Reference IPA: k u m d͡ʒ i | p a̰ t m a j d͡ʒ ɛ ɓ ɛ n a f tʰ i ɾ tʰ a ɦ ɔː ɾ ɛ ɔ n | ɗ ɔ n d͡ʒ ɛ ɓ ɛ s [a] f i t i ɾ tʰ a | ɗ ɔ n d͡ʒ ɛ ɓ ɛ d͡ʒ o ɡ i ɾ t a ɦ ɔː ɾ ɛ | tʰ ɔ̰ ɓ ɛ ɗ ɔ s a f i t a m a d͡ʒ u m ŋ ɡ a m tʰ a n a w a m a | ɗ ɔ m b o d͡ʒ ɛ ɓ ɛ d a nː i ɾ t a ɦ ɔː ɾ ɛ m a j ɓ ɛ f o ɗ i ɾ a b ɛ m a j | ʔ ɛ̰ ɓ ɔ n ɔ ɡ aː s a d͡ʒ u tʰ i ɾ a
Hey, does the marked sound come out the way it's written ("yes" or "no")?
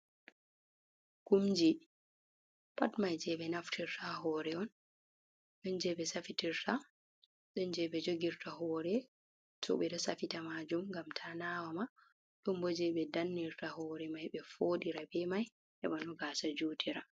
yes